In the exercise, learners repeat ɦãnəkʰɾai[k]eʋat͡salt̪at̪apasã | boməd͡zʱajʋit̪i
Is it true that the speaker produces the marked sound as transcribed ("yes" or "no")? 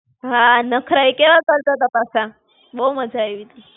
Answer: yes